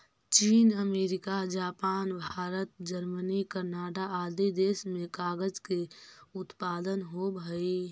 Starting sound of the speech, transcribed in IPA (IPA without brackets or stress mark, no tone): t͡ʃ